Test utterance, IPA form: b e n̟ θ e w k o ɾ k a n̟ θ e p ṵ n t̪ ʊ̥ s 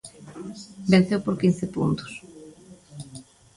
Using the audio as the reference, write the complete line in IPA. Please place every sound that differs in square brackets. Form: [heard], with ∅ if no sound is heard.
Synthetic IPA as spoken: b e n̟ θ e w [p] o ɾ k [i] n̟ θ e p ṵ n t̪ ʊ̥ s